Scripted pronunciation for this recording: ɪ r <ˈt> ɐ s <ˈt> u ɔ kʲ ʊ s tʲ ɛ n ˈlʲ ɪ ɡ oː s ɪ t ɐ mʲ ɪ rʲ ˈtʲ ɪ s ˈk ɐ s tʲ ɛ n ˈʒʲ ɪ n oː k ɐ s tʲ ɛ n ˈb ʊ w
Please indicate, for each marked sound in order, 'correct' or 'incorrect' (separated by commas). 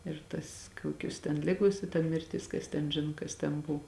correct, incorrect